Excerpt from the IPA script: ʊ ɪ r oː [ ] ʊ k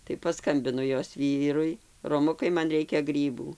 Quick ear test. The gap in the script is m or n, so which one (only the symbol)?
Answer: m